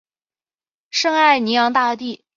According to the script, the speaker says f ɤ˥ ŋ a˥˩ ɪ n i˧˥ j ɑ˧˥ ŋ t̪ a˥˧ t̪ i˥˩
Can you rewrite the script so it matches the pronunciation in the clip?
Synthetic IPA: ʂ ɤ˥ ŋ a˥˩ ɪ n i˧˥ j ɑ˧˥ ŋ t̪ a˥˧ t̪ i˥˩